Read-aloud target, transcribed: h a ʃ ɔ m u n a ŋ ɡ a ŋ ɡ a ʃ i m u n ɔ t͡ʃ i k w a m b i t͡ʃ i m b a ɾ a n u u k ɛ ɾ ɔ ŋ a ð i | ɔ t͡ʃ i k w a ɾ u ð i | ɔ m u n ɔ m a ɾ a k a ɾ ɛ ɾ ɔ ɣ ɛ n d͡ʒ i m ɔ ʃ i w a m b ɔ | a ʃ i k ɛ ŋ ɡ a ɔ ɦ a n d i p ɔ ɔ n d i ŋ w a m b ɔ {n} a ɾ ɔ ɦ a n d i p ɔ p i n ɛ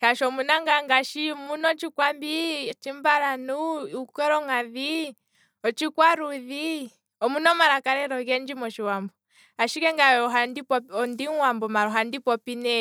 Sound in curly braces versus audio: incorrect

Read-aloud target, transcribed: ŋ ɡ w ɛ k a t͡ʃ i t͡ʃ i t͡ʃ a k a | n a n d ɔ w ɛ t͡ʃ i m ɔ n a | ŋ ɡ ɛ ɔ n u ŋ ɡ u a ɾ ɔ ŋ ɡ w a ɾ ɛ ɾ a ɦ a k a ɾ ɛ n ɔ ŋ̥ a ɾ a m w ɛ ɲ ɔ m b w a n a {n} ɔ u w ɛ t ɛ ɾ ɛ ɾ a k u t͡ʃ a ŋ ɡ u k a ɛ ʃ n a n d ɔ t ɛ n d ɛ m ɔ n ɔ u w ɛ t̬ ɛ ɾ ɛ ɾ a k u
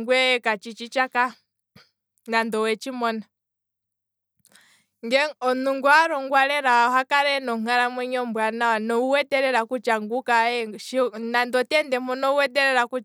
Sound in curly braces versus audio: correct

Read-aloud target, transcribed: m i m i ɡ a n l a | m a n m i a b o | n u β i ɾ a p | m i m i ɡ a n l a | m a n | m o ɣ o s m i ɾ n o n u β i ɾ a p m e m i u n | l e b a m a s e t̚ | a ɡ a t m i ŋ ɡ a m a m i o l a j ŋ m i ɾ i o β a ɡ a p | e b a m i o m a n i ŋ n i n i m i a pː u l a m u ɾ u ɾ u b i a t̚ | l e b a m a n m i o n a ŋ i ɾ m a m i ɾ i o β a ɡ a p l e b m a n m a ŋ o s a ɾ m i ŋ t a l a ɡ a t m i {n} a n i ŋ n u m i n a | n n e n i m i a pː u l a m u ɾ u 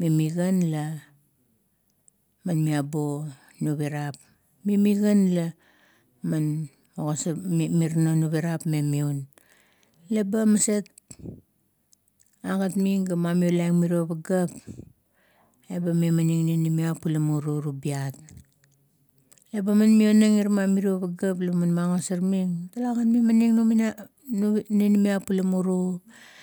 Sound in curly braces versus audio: incorrect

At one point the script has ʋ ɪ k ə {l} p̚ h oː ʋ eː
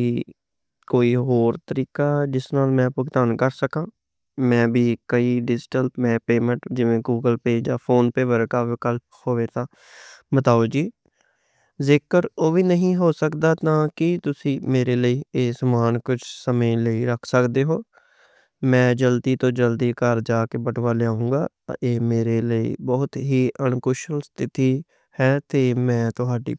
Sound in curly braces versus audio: correct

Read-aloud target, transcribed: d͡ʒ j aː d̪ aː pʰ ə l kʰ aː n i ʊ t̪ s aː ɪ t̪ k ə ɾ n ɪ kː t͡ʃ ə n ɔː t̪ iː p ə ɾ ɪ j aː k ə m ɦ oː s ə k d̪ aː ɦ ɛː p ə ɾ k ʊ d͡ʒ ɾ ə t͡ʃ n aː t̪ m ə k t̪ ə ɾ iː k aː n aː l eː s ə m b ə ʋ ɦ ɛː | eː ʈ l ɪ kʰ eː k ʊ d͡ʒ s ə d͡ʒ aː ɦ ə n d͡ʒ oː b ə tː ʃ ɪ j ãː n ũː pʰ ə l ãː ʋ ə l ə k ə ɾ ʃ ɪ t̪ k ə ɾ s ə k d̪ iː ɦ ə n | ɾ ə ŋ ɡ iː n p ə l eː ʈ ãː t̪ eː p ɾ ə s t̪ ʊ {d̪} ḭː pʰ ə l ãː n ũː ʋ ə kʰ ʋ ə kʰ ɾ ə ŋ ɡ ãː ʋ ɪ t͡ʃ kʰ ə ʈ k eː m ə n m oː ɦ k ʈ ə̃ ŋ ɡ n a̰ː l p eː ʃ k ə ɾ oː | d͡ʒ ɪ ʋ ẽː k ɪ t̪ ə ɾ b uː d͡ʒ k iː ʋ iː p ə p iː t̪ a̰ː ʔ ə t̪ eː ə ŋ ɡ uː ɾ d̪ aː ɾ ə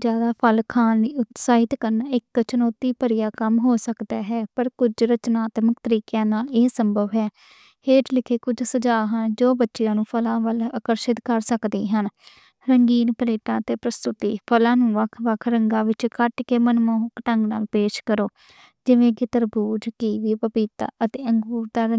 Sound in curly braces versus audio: incorrect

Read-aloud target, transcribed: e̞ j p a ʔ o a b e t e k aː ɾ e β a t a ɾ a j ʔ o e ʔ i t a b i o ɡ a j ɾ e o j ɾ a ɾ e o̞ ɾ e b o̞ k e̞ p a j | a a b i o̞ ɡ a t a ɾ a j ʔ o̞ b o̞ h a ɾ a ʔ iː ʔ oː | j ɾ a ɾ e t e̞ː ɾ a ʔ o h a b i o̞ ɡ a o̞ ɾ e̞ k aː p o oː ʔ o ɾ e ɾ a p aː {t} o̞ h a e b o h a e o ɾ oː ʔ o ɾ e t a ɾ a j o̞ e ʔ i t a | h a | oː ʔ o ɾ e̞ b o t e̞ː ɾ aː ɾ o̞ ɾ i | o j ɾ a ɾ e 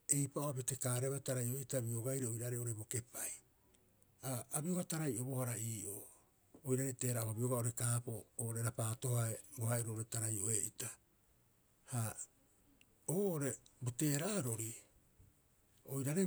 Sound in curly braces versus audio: correct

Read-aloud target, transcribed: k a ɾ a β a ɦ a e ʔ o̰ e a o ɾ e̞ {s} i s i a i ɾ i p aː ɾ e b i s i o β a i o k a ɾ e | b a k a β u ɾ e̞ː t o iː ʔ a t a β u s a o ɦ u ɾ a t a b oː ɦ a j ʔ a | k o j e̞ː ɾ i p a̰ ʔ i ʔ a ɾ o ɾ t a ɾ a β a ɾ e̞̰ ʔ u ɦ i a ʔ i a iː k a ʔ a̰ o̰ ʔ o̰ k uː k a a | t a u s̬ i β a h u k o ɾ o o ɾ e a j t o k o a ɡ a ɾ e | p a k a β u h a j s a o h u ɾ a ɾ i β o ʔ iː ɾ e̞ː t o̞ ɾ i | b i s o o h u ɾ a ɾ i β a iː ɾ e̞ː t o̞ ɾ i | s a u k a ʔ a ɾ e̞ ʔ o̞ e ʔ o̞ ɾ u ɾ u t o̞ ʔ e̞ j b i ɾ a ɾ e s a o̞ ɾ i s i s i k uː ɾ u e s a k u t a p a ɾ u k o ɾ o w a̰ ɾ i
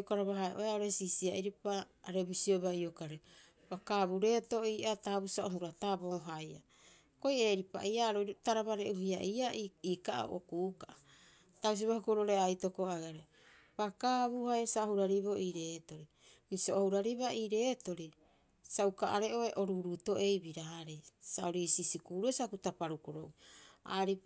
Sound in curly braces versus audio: correct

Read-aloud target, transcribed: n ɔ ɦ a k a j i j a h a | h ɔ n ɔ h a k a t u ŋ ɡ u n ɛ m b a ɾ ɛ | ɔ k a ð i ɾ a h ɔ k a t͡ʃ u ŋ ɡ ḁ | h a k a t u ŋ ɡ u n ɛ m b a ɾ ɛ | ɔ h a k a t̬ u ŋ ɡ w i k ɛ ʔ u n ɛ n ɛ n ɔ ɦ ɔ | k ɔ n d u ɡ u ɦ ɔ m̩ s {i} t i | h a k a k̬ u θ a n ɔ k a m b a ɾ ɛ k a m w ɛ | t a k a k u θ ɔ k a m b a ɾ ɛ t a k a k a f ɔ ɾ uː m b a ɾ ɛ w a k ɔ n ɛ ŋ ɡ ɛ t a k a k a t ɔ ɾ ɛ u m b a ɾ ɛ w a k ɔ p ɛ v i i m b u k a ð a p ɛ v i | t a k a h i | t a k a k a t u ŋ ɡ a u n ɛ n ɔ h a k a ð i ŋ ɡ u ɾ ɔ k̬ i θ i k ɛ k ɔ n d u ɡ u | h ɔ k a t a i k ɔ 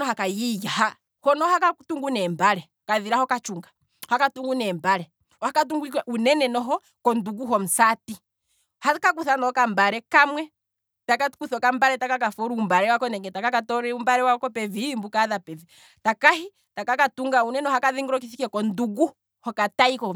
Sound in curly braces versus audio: incorrect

